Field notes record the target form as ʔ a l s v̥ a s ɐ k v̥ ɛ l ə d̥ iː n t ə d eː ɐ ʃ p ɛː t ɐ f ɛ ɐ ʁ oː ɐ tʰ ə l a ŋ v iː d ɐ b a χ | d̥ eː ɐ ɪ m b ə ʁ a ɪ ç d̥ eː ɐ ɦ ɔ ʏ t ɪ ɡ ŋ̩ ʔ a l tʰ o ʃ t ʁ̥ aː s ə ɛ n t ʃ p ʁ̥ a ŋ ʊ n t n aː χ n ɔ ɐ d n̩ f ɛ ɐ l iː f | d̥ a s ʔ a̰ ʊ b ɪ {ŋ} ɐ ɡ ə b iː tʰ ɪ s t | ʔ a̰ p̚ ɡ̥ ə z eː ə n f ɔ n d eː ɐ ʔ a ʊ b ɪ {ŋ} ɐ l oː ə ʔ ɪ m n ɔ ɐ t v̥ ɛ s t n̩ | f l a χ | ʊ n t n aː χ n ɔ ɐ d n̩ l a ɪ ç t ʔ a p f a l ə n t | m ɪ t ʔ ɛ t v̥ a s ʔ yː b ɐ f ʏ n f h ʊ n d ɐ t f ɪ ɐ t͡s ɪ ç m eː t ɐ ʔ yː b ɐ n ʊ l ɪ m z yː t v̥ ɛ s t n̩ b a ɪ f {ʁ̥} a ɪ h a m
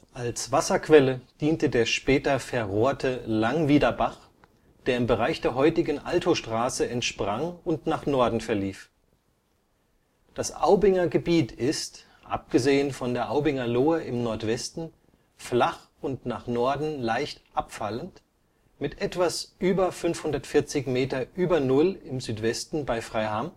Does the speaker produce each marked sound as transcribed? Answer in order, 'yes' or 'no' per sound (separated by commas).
yes, yes, yes